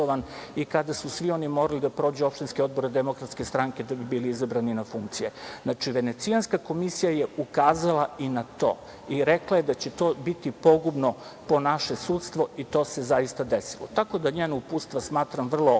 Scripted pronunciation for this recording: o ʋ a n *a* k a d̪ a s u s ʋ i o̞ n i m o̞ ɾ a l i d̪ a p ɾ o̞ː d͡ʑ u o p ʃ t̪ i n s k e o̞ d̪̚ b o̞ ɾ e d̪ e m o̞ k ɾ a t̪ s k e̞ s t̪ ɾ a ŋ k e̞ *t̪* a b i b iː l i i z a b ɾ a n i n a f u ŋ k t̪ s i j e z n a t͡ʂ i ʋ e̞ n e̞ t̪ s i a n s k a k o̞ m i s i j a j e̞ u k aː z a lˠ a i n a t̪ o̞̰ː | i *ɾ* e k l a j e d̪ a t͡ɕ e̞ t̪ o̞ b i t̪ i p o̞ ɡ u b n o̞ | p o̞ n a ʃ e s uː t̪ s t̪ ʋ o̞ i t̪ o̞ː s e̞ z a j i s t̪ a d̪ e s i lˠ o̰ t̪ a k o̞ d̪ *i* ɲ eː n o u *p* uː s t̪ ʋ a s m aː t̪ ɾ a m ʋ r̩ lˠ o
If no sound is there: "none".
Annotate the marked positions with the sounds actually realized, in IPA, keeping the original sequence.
i, d̪, ɾ, a, p

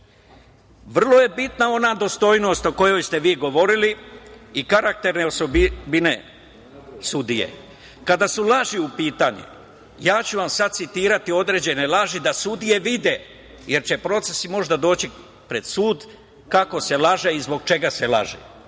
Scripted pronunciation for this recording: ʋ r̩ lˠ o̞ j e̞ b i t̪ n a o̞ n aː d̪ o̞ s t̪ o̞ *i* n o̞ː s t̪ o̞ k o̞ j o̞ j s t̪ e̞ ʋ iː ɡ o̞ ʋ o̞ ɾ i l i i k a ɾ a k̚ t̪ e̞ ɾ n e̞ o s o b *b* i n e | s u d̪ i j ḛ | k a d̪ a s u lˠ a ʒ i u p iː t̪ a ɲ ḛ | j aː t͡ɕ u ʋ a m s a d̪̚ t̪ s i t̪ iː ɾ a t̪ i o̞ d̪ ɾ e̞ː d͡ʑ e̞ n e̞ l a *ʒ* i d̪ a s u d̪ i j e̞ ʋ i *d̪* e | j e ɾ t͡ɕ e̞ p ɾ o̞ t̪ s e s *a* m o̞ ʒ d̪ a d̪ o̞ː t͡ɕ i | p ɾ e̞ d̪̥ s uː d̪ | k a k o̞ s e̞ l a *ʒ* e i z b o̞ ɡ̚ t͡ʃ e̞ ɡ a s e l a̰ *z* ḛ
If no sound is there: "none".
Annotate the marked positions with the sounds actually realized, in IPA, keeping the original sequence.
j, b, ʒ, d̪, i, ʒ, ʒ

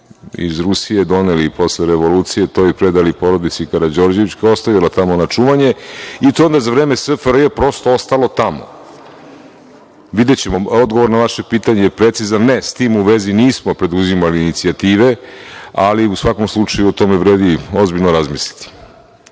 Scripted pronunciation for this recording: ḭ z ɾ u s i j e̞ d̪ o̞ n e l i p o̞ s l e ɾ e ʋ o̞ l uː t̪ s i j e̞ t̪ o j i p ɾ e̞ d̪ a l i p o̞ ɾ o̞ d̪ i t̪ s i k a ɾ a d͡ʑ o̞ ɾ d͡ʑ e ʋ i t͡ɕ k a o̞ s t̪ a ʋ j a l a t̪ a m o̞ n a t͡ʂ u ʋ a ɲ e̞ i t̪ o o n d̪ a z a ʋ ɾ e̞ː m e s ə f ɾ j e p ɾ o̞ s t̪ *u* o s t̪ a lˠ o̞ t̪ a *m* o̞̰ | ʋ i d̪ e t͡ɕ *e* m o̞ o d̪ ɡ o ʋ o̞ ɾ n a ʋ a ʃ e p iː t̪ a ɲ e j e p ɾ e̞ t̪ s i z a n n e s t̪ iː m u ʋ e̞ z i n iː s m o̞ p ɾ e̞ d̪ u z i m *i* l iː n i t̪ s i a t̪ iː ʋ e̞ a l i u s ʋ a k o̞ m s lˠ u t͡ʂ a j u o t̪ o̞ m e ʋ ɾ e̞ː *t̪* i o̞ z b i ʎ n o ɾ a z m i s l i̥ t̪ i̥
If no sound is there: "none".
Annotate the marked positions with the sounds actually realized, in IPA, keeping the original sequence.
o, m, e, a, d̪

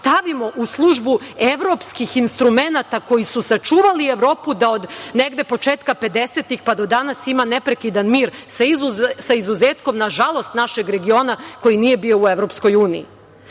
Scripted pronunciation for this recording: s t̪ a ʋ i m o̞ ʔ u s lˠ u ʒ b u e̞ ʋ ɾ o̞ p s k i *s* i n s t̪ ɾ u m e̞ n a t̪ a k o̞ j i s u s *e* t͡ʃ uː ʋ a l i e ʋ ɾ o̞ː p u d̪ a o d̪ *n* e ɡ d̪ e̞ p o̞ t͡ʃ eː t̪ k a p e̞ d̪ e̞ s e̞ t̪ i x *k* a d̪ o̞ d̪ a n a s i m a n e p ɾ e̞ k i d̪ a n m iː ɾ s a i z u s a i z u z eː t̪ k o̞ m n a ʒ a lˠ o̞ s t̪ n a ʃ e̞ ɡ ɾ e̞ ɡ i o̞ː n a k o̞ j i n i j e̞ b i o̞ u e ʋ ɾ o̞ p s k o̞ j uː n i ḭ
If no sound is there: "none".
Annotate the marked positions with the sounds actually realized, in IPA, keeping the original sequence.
x, a, n, p

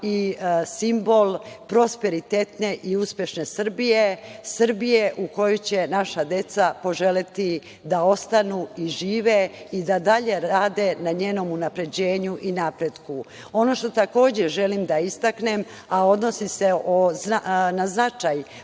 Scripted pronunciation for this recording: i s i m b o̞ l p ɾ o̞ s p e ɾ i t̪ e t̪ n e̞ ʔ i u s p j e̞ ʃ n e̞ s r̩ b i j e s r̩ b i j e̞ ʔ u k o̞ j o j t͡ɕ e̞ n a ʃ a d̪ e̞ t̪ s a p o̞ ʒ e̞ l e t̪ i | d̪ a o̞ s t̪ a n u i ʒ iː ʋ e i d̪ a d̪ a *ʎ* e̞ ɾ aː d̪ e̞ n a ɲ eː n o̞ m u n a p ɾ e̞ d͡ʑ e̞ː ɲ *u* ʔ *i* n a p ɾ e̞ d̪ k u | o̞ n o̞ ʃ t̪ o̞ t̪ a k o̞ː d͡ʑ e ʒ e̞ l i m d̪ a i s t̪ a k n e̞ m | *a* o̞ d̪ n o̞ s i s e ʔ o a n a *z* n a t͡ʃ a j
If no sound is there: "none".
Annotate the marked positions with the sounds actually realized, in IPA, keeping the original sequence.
ʎ, u, i, a, z

